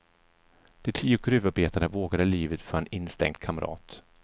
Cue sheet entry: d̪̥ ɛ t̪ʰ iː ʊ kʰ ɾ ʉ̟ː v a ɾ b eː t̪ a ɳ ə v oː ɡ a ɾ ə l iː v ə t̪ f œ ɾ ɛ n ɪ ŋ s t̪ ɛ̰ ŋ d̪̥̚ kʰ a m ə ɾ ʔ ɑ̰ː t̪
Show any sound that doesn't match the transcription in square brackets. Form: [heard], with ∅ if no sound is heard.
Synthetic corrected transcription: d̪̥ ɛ t̪ʰ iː ʊ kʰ ɾ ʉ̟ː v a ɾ b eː t̪ a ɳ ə v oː ɡ a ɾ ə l iː v ə t̪ f œ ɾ ɛ n ɪ [n] s t̪ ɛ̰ ŋ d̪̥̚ kʰ a m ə ɾ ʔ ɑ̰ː t̪